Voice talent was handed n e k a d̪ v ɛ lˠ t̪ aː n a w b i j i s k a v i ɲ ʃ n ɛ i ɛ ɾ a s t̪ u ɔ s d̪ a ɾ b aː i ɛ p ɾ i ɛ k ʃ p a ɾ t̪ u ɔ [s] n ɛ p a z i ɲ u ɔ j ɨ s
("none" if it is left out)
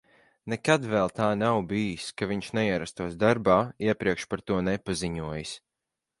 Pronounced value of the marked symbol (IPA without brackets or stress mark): none